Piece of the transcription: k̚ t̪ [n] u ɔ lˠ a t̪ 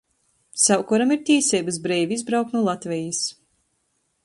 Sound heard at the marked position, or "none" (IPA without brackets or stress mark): n